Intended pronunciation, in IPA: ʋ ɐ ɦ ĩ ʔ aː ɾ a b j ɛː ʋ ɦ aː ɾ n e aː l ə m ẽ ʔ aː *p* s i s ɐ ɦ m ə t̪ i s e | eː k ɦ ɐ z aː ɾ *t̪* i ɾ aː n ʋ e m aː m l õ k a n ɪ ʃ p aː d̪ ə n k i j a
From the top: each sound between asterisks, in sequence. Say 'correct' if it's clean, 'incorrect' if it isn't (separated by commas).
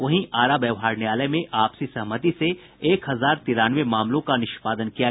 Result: correct, correct